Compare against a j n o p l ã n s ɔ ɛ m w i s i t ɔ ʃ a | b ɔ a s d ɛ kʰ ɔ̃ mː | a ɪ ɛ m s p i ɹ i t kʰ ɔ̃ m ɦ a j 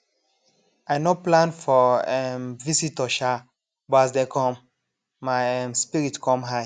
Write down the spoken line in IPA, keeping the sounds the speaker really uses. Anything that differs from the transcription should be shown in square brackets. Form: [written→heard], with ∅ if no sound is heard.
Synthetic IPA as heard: a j n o p l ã n [s→f] ɔ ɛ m [w→v] i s i t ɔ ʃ a | b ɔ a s d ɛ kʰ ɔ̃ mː | a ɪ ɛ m s p i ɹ i t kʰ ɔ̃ m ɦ a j

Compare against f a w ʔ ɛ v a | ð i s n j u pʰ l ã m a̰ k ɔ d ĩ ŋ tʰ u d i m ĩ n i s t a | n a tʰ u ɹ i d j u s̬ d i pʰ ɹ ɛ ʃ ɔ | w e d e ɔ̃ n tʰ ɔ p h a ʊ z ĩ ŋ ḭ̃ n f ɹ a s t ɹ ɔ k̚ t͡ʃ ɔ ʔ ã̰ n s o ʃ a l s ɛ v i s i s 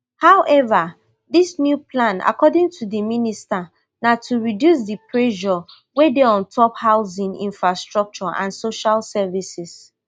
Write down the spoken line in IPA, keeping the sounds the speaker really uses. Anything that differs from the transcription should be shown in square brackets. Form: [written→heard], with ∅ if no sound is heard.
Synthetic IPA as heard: [f→h] a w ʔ ɛ v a | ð i s n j u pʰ l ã [m→n] a̰ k ɔ d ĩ ŋ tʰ u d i m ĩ n i s t a | n a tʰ u ɹ i d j u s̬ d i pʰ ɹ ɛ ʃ ɔ | w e d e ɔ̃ n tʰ ɔ p h a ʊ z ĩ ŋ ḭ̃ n f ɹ a s t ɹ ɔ k̚ t͡ʃ ɔ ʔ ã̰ n s o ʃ a l s ɛ v i s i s

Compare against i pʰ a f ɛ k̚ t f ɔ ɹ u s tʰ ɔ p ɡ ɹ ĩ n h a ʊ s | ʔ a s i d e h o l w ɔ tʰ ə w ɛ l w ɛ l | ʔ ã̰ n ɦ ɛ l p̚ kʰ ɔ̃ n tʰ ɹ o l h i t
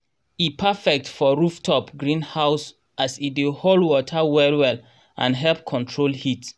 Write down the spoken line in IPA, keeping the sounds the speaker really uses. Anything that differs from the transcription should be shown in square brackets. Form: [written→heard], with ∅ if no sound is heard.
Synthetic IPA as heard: i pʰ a f ɛ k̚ t f ɔ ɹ u [s→f] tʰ ɔ p ɡ ɹ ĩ n h a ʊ s | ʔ a s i d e h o l w ɔ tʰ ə w ɛ l w ɛ l | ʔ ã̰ n ɦ ɛ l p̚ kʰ ɔ̃ n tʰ ɹ o l h i t

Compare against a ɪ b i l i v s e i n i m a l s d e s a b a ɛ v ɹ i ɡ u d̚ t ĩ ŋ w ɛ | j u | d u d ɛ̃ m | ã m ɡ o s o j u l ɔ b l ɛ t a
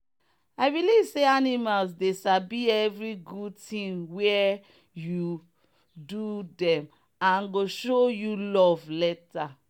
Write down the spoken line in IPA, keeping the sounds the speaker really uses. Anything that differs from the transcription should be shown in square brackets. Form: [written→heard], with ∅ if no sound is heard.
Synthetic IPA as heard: a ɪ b i l i v s e [i→a] n i m a l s d e s a b [a→i] ɛ v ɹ i ɡ u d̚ t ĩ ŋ w ɛ | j u | d u d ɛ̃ m | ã [m→n] ɡ o [s→ʃ] o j u l ɔ [b→v] l ɛ t a

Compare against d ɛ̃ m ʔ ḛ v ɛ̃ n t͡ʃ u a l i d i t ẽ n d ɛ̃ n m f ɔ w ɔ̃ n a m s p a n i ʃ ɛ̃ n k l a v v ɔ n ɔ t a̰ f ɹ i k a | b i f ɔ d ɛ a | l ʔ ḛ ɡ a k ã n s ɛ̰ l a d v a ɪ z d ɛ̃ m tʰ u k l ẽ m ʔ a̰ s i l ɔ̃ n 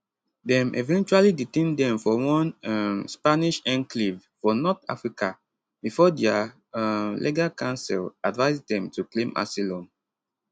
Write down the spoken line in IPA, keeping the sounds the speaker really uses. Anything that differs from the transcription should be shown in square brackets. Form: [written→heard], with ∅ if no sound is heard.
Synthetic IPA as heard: d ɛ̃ m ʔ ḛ v ɛ̃ n t͡ʃ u a l i d i t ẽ n d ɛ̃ [n→∅] m f ɔ w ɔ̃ n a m s p a n i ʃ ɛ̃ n k l [a→i] v [v→f] ɔ n ɔ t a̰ f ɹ i k a | b i f ɔ d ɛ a | l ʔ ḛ ɡ a k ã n s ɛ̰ l a d v a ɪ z d ɛ̃ m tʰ u k l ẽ m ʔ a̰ s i l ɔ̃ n

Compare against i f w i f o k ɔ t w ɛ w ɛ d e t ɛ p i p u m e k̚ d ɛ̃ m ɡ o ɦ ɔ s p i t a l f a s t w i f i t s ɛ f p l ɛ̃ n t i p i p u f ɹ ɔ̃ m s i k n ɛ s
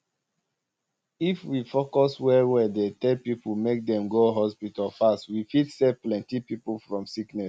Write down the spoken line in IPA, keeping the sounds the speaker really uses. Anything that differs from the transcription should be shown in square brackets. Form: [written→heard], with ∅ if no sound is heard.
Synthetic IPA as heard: i f w i f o k ɔ [t→s] w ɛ w ɛ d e t ɛ p i p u m e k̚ d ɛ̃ m ɡ o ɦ ɔ s p i t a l f a s t w i f i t s ɛ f p l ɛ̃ n t i p i p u f ɹ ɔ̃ m s i k n ɛ s

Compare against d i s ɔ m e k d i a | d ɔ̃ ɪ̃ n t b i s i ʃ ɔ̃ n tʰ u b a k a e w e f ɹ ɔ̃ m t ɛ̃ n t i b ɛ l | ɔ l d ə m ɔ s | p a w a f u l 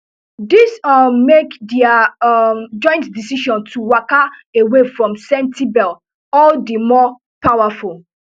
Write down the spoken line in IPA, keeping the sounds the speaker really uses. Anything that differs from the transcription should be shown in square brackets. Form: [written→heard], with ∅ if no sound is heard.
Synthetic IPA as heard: d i s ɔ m e k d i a | [d→d͡ʒ] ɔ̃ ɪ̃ n t [b→d] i s i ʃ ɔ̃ n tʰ u [b→w] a k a e w e f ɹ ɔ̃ m [t→s] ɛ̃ n t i b ɛ l | ɔ l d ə m ɔ [s→∅] | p a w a f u l

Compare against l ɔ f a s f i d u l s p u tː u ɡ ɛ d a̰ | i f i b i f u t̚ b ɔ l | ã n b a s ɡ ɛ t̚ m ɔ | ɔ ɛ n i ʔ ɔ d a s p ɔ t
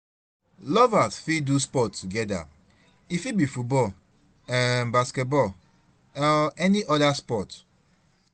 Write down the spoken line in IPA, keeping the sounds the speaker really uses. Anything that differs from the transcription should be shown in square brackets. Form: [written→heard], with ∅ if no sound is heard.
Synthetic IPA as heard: l ɔ [f→v] a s f i d u [l→∅] s p [u→ɔ] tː u ɡ ɛ d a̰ | i f i b i f u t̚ b ɔ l | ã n b a s [ɡ→k] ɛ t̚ [m→b] ɔ | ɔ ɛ n i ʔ ɔ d a s p ɔ t

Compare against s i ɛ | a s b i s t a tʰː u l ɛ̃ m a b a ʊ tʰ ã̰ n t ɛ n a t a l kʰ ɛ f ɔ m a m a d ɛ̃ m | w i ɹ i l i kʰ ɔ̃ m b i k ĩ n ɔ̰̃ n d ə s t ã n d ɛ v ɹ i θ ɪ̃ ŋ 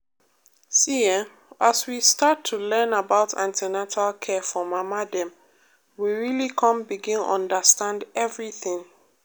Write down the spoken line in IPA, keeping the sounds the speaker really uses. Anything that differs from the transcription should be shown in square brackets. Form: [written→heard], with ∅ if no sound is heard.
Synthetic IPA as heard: s i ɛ | a s [b→w] i s t a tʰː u l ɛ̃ [m→n] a b a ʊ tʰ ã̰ n t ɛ n a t a l kʰ ɛ f ɔ m a m a d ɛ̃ m | w i ɹ i l i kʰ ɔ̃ m b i [k→ɡ] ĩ n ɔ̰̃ n d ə s t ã n d ɛ v ɹ i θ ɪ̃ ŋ

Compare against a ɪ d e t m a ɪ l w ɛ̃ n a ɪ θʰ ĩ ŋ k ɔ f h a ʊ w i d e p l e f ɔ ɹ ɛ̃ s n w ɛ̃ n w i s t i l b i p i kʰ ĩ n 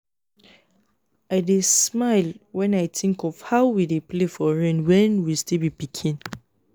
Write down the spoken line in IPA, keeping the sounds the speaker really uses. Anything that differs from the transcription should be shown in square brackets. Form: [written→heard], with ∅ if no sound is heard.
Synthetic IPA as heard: a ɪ d e [t→s] m a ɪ l w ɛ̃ n a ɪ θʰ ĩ ŋ k ɔ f h a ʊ w i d e p l e f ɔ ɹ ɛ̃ [s→∅] n w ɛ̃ n w i s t i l b i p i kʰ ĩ n

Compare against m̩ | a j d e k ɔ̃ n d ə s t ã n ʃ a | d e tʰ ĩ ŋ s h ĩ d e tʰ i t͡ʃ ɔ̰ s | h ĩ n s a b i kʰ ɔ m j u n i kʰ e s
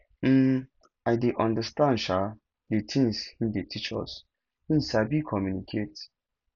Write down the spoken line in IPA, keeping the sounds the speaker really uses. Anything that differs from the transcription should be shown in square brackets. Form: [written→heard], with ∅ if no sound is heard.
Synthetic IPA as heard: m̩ | a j d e [k→ʔ] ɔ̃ n d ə s t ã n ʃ a | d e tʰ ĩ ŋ s h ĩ d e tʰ i t͡ʃ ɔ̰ s | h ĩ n s a b i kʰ ɔ m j u n i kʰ e [s→t]

